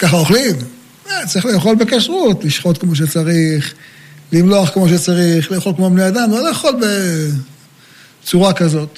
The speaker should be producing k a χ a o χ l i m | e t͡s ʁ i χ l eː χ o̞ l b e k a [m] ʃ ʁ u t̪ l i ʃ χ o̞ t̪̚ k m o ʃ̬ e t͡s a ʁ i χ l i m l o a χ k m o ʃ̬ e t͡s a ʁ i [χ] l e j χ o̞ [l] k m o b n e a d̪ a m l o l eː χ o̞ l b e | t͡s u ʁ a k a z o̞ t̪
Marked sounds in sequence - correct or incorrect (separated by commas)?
incorrect, correct, correct